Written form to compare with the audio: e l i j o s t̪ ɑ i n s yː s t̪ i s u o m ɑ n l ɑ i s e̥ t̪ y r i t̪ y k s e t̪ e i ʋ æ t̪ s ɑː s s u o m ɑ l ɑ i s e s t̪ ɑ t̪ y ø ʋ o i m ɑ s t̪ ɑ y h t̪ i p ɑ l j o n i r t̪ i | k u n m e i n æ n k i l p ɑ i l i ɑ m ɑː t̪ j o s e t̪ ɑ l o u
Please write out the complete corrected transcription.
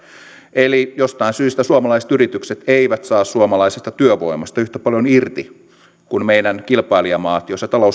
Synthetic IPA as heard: e l i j o s t̪ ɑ i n s yː s t̪ æ s u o m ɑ l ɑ i s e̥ t̪ y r i t̪ y k s e t̪ e i ʋ æ t̪ s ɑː s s u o m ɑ l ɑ i s e s t̪ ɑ t̪ y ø ʋ o i m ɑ s t̪ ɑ y h t̪ æ p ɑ l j o n i r t̪ i | k u n m e i n æ n k i l p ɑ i l i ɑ m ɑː t̪ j o s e t̪ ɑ l o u